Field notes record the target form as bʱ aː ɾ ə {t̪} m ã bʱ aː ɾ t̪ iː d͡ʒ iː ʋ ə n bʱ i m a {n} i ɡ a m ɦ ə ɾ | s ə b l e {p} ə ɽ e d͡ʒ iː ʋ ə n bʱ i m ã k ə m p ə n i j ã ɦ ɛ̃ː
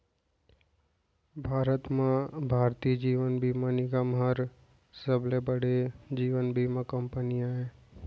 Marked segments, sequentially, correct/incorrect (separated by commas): correct, correct, incorrect